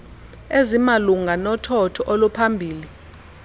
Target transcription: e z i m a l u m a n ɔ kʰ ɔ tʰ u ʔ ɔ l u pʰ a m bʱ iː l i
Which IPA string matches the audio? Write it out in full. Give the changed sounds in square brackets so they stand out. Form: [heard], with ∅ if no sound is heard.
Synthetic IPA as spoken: e z i m a l u [ŋ] a n ɔ [tʰ] ɔ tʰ [ɔ] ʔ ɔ l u pʰ a m bʱ iː l i